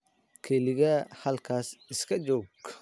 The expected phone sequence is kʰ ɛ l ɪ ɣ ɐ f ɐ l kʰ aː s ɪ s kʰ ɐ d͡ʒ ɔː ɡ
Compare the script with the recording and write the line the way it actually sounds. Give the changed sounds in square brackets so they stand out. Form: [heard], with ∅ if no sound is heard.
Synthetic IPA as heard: kʰ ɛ l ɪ ɣ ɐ [h] ɐ l kʰ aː s ɪ s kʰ ɐ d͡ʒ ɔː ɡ